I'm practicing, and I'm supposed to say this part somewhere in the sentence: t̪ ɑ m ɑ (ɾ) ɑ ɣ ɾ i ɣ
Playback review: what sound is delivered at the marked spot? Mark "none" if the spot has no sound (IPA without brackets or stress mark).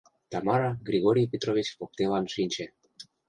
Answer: ɾ